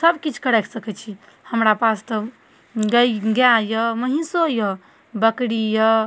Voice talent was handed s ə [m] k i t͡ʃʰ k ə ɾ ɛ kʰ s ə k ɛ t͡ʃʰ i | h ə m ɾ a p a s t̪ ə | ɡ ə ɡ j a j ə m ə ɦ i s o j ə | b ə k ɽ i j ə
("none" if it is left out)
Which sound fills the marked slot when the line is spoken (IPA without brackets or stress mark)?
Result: b